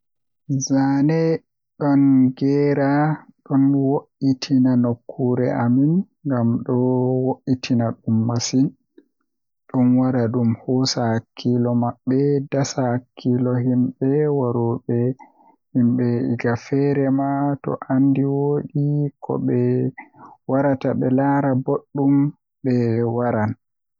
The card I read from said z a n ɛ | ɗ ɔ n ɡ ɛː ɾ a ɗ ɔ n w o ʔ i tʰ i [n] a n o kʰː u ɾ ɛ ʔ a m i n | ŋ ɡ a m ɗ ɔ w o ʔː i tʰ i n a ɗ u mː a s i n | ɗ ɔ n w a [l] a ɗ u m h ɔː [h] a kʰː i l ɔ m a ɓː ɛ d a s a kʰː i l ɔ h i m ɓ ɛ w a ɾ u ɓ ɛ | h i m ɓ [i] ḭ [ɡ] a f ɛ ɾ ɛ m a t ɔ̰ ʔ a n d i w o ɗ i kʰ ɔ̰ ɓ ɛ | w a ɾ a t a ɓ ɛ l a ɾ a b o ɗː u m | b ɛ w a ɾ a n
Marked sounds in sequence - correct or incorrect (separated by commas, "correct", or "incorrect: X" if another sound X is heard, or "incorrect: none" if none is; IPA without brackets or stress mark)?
correct, incorrect: ɾ, incorrect: s, incorrect: ɛ, correct